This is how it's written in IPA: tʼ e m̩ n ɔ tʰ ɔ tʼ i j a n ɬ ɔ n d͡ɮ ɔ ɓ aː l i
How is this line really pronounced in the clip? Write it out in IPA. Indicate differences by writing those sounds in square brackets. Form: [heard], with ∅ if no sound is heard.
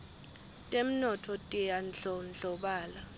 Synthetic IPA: tʼ e m̩ n ɔ tʰ ɔ tʼ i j a n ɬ ɔ n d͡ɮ ɔ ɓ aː l [a]